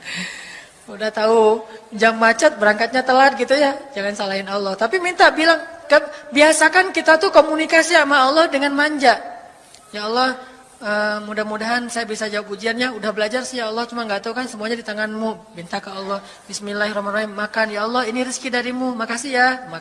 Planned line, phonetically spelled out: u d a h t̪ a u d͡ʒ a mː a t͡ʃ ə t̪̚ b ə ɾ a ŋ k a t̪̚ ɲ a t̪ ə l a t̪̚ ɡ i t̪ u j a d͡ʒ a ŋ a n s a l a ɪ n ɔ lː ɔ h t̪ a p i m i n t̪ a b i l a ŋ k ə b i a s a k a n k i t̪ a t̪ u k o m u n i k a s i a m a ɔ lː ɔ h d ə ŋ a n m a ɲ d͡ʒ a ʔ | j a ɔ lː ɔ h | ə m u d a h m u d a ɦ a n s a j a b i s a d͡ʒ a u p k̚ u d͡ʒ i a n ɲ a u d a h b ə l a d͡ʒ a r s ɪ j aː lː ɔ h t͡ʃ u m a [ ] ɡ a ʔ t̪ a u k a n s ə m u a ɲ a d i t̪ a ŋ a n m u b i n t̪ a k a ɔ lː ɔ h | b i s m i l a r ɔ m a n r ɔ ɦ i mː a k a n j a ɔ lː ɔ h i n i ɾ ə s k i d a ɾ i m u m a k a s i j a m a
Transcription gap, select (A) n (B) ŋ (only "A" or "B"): B